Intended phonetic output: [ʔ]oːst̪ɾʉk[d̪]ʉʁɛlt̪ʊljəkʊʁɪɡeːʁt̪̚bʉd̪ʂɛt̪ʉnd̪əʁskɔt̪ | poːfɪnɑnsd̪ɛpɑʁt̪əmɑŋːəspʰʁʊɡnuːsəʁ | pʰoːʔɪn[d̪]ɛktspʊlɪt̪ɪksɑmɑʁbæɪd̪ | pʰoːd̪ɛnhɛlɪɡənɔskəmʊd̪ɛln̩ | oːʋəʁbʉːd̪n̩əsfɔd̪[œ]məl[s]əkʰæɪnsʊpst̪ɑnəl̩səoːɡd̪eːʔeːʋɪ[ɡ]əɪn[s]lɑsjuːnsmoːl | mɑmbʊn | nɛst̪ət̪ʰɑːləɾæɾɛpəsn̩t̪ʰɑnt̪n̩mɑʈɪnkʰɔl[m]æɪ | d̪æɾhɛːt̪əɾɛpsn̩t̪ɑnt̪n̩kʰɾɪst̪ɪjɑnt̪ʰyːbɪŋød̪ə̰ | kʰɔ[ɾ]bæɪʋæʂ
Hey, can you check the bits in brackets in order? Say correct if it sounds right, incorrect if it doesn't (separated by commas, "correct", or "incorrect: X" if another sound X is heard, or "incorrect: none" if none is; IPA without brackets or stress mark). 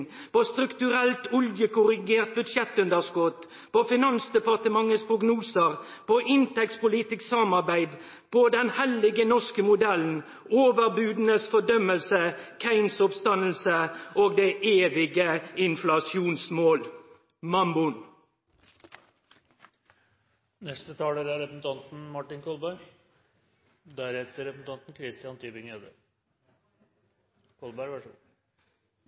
incorrect: p, incorrect: t̪, incorrect: t̪, correct, correct, correct, incorrect: f, incorrect: b, incorrect: l